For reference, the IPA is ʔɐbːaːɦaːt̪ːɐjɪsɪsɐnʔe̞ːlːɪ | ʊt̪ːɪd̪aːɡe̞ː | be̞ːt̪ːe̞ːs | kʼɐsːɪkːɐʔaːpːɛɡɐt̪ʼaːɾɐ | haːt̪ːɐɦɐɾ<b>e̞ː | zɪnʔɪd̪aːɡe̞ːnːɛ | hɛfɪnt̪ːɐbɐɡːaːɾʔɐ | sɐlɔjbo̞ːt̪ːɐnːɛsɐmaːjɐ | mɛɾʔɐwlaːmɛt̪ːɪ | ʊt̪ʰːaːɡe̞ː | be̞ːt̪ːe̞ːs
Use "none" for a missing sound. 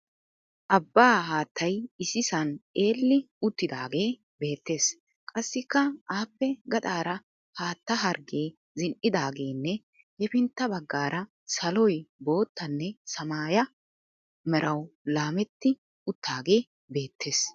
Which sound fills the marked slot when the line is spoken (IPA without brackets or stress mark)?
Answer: ɡ